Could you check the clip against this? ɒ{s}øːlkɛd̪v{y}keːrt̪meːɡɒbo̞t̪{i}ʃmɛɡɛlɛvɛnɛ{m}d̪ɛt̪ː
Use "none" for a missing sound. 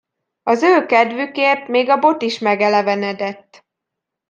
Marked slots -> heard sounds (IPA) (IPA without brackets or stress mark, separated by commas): z, y, i, none